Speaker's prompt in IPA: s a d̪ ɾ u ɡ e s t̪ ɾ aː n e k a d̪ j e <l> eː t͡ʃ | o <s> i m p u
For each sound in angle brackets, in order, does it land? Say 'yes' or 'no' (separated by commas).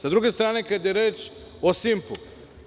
no, yes